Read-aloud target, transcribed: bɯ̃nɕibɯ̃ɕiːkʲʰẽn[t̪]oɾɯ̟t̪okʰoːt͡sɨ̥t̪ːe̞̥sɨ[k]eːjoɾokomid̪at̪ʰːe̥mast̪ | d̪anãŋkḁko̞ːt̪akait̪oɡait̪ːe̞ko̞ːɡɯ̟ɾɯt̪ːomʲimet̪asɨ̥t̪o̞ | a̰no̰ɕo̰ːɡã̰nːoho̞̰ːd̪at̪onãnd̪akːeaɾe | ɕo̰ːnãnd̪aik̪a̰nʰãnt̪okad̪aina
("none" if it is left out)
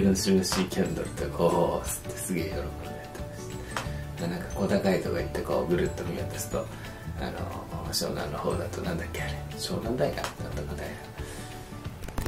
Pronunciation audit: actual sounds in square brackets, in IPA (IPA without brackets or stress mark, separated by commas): d̪, ɡ